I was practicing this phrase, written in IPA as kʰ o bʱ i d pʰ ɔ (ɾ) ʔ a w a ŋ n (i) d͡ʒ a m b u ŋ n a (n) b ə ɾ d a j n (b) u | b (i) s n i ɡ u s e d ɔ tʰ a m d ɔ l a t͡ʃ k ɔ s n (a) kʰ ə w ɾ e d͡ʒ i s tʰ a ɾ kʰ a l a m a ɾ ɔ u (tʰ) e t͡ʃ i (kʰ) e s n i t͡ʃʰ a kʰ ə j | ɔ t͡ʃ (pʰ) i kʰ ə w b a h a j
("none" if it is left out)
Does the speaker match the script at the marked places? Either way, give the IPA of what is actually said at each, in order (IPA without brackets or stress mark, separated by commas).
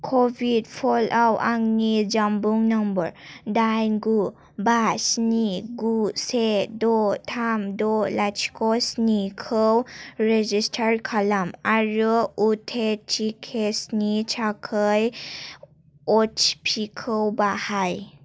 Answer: l, i, m, ɡ, a, i, tʰ, kʰ, pʰ